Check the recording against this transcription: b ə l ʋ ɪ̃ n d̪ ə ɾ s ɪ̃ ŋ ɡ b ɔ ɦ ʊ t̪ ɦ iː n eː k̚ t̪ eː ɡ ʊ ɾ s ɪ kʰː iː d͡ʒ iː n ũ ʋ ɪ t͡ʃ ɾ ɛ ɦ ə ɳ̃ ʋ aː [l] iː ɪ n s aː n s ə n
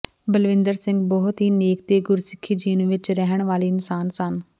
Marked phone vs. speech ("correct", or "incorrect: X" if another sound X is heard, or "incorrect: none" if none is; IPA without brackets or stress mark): correct